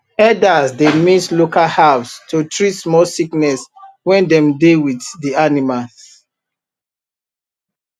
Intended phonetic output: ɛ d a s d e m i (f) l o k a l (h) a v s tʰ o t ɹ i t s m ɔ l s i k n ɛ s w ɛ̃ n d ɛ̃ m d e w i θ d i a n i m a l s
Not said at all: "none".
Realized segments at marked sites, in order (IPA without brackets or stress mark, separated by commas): s, h